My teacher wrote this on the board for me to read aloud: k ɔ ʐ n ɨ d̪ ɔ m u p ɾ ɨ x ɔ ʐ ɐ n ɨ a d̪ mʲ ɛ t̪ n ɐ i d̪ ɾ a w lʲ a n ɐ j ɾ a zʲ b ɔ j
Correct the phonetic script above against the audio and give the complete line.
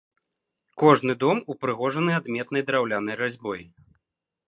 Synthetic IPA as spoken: k ɔ ʐ n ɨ d̪ ɔ m u p ɾ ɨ ɣ ɔ ʐ ɐ n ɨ a d̪ mʲ ɛ t̪ n ɐ j d̪ ɾ a w lʲ a n ɐ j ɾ a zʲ b ɔ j